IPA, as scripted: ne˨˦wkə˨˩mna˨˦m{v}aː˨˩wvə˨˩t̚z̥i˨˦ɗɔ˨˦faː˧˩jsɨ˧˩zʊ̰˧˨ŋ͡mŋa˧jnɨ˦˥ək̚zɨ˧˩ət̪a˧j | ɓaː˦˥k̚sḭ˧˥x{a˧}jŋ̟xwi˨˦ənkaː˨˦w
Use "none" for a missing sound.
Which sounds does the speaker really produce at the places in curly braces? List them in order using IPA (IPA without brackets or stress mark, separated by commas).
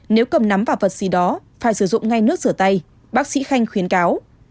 v, a˧